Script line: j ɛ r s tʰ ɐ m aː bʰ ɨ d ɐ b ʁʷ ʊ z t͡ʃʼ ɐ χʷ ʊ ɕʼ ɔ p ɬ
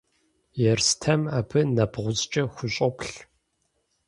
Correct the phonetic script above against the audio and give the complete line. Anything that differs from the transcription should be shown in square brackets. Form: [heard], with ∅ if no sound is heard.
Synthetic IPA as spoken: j ɛ r s tʰ ɐ m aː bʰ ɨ [n] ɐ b ʁʷ ʊ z t͡ʃʼ ɐ [xʷ] ʊ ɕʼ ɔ p ɬ